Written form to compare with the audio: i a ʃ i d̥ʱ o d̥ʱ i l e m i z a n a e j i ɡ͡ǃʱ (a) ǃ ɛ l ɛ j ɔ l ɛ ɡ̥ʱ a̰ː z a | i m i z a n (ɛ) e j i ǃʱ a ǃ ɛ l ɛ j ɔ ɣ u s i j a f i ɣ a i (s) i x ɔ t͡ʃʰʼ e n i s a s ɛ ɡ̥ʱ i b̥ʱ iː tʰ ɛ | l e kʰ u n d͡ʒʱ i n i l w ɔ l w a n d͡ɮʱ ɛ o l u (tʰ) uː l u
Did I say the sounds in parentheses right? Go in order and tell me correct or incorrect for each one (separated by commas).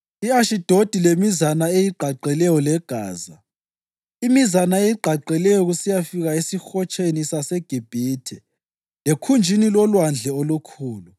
correct, incorrect, correct, incorrect